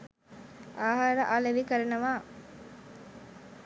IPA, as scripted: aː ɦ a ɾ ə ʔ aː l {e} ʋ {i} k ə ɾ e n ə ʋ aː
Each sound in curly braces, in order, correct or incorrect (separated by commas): correct, correct